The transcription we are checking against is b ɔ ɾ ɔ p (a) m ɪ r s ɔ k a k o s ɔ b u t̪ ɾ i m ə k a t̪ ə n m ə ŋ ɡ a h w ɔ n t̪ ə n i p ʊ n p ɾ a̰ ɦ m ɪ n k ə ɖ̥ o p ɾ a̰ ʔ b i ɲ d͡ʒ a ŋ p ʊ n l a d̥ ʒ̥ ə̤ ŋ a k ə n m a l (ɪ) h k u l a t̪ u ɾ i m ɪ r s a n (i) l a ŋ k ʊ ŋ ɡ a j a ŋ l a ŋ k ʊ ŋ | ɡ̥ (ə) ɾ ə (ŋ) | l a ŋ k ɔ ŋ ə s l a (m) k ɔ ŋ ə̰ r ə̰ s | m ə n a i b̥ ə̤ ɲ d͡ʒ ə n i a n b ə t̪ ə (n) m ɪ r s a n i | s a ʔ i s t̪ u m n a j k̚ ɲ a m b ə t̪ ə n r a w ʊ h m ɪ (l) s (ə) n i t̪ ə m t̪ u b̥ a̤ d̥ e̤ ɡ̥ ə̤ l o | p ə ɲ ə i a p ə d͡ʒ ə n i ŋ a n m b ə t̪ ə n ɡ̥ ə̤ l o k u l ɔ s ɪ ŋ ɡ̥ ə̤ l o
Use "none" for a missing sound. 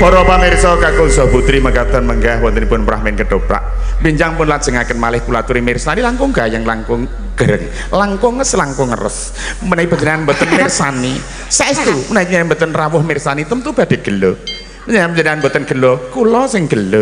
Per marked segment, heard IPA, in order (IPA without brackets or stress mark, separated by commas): a, ɪ, i, ə, ŋ, ŋ, n, r, a